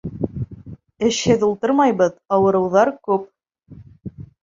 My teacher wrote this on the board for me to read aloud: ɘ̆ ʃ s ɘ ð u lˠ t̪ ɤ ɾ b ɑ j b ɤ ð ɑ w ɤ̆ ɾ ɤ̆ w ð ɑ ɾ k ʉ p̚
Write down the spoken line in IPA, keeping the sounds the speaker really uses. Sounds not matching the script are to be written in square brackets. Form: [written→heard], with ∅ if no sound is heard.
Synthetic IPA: ɘ̆ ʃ [s→h] ɘ ð u lˠ t̪ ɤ ɾ [b→m] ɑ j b ɤ ð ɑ w ɤ̆ ɾ ɤ̆ w ð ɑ ɾ k ʉ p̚